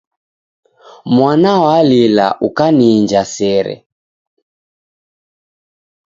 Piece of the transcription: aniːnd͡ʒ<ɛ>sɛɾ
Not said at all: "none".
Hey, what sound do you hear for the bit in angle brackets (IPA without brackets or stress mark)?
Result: a